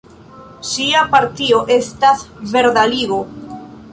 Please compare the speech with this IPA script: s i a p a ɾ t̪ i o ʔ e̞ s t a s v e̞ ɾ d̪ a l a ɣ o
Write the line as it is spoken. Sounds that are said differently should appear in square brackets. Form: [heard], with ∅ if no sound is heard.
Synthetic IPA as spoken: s i a p a ɾ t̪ i o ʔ e̞ s t a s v e̞ ɾ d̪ a l [i] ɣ o